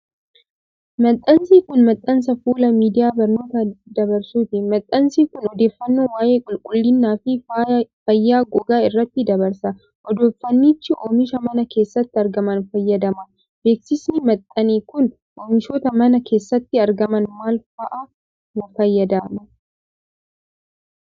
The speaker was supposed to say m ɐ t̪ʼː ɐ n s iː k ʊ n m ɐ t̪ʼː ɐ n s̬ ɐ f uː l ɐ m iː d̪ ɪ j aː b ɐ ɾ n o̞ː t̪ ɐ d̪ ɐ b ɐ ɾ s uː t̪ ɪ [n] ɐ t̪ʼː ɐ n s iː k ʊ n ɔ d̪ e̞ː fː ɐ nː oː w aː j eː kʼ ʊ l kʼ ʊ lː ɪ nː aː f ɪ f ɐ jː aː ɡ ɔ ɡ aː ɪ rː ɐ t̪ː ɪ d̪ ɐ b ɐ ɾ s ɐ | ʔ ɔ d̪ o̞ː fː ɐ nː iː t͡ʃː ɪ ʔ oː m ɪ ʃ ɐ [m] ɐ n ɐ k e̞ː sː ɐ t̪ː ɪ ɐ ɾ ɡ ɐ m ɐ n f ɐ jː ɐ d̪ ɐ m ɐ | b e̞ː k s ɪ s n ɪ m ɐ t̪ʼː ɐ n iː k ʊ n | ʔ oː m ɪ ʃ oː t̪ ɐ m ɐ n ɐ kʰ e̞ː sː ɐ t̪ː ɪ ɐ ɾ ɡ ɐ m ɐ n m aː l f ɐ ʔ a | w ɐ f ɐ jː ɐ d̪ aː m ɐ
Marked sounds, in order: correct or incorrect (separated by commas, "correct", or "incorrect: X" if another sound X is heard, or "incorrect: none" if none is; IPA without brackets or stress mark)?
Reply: incorrect: m, correct